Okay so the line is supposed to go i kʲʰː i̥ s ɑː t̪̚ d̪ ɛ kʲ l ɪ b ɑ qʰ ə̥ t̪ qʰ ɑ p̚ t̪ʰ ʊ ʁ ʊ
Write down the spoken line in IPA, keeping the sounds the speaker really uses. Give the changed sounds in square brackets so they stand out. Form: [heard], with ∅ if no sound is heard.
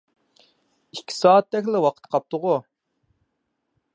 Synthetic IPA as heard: i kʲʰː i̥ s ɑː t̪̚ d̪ ɛ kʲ l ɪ [w] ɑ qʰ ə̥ t̪ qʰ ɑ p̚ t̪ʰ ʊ ʁ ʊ